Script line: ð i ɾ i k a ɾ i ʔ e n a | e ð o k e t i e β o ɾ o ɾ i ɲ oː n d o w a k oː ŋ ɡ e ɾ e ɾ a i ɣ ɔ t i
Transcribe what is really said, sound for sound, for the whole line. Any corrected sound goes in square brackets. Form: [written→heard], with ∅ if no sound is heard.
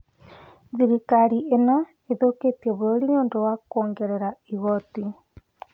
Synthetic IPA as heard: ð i ɾ i k a ɾ i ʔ e n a | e ð o k e t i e β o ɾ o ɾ i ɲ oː n d o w a k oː ŋ ɡ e ɾ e ɾ a i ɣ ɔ t i